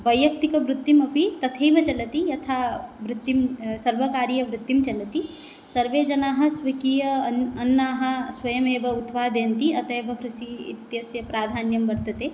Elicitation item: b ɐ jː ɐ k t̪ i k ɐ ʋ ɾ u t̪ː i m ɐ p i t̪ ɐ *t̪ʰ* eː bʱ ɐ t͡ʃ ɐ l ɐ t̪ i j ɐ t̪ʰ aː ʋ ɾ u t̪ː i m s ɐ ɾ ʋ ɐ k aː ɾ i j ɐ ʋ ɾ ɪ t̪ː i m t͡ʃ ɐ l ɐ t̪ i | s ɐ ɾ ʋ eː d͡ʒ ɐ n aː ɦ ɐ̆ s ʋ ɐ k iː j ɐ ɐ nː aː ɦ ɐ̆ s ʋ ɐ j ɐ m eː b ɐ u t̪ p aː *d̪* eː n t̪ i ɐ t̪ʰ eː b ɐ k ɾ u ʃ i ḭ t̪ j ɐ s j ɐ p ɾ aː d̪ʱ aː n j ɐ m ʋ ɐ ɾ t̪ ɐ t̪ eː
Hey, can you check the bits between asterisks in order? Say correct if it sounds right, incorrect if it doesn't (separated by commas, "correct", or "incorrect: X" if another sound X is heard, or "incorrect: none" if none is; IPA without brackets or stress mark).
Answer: correct, correct